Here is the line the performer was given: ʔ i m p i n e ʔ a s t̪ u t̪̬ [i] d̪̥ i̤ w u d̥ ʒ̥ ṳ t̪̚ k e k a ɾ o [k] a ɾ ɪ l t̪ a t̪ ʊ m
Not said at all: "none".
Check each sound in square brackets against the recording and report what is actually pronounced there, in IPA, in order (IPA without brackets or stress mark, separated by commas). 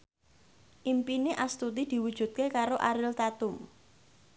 i, ʔ